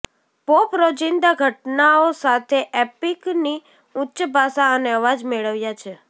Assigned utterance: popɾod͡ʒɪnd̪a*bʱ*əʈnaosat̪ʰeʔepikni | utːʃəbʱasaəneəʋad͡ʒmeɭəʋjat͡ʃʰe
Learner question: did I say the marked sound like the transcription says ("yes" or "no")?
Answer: no